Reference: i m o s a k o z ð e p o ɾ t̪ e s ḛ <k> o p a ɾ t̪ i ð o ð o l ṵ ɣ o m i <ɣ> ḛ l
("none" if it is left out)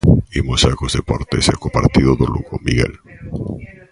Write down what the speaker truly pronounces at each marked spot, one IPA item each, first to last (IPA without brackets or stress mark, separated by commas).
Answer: k, ɣ